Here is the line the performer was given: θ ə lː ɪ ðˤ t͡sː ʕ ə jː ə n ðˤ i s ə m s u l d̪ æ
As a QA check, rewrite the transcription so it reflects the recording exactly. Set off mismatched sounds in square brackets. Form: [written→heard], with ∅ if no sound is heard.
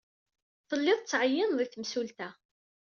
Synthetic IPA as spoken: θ ə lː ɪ ðˤ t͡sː ʕ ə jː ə n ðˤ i [s→θ] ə m s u l [d̪→t̪] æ